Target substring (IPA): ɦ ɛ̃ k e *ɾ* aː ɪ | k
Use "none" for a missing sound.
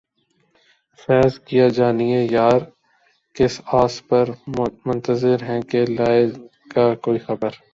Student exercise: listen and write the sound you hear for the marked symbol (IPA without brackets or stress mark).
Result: l